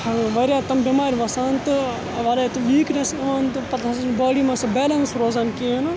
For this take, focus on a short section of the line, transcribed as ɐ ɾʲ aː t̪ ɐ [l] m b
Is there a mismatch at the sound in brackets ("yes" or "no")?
yes